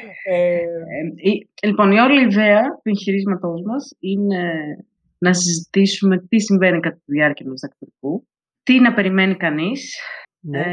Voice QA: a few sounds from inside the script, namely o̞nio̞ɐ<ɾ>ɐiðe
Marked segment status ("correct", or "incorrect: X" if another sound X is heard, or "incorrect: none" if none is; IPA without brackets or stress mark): incorrect: l